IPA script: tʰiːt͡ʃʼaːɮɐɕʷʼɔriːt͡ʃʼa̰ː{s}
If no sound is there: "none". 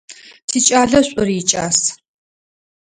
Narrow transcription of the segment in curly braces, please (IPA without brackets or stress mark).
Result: s